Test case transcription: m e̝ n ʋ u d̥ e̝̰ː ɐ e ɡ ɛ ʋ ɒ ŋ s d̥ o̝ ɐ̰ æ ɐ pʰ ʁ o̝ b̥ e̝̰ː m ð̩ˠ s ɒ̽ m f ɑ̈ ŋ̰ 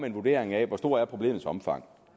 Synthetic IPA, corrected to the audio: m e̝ n ʋ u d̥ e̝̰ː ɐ e ŋ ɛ ʋ ɒ s d̥ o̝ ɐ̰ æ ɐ pʰ ʁ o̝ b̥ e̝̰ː m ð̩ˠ s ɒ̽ m f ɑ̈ ŋ̰